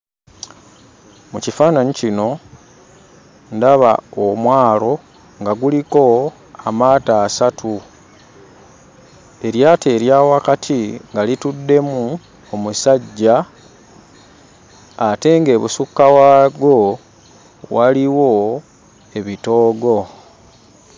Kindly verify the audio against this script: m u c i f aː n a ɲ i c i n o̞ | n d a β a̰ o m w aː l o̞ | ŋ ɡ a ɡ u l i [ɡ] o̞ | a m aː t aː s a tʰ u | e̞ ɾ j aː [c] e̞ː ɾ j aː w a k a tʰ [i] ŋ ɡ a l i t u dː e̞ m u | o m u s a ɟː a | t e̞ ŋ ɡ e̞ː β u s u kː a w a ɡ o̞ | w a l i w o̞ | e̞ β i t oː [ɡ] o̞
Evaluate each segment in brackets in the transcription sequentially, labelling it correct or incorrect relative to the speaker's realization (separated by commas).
incorrect, incorrect, correct, correct